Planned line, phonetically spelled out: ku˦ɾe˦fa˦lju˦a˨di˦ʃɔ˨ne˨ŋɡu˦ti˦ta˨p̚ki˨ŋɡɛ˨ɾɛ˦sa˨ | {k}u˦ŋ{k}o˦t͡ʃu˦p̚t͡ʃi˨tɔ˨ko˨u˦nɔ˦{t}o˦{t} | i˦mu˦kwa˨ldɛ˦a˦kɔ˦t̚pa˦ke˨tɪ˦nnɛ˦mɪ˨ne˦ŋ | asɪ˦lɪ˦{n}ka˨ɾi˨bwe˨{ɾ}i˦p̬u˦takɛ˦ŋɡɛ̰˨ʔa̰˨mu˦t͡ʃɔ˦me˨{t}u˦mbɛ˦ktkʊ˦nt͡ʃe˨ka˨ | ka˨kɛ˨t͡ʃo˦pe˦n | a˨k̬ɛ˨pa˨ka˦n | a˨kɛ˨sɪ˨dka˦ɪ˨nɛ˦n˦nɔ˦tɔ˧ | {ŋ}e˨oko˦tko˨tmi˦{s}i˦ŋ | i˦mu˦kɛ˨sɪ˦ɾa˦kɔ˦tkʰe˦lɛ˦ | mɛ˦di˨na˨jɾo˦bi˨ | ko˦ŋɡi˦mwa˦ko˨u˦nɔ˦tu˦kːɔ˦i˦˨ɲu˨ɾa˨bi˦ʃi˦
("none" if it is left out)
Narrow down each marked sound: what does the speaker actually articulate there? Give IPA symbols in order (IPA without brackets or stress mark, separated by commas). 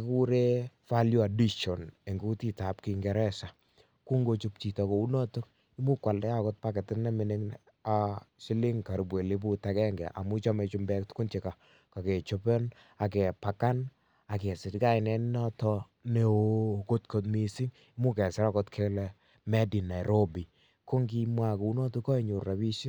k, ɡ, t, k, ŋ, l, t͡ʃ, n, s